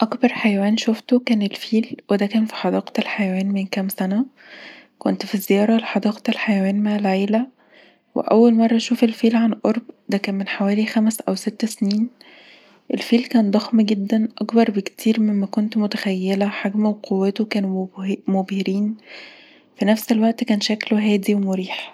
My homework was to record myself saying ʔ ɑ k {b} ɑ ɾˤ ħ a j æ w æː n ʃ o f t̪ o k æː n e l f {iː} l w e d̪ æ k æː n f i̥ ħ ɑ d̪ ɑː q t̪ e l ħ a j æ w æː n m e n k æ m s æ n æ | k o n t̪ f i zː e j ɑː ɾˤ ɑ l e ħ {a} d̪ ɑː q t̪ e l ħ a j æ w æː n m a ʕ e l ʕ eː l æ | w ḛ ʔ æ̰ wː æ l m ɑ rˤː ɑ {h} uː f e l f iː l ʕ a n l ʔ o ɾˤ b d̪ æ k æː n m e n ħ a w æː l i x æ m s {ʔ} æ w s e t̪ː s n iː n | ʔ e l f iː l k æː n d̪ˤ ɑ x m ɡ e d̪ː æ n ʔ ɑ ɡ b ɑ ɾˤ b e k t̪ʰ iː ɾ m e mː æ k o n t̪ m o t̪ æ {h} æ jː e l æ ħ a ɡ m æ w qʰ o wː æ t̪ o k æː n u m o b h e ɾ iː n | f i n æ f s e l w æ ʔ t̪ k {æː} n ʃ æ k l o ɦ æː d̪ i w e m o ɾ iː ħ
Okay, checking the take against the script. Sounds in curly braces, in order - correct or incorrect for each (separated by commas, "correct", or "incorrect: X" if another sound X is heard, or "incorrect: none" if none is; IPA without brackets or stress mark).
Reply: correct, correct, incorrect: ɑ, incorrect: ʃ, correct, incorrect: x, correct